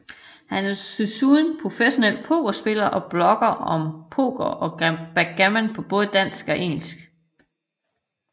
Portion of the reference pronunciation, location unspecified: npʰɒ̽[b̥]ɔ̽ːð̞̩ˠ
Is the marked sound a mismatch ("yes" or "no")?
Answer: no